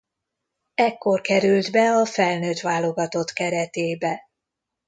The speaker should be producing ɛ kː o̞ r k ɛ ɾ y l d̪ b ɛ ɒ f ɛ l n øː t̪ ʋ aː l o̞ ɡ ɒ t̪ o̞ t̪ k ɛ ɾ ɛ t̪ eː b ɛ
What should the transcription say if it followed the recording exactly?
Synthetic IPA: ɛ kː o̞ r k ɛ ɾ y l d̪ b ɛ ɒ f ɛ l n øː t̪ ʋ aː l o̞ ɡ ɒ t̪ o̞ t̪ k ɛ ɾ ɛ t̪ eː b ɛ